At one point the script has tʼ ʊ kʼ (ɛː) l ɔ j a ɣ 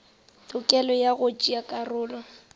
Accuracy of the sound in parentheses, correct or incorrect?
incorrect